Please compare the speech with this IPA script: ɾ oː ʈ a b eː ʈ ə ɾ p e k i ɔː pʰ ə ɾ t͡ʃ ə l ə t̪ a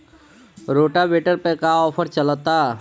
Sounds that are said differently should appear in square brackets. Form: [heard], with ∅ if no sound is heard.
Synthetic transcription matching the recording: ɾ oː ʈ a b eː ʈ ə ɾ p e k [a] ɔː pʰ ə ɾ t͡ʃ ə l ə t̪ a